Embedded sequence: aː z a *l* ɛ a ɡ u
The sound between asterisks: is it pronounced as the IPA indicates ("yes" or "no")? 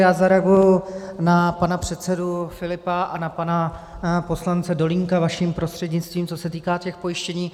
no